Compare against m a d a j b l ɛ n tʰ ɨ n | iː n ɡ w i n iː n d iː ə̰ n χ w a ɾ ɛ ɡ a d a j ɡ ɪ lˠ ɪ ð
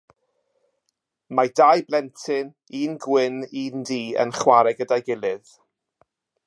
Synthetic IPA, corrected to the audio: m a d a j b l ɛ n tʰ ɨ n | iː n ɡ w ɪ n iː n d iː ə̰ n χ w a ɾ ɛ ɡ ə d a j ɡ ɪ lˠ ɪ ð